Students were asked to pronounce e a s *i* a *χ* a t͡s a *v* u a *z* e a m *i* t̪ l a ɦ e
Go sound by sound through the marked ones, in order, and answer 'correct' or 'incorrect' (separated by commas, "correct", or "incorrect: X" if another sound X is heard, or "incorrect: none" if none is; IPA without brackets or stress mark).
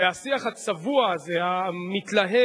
correct, correct, correct, correct, correct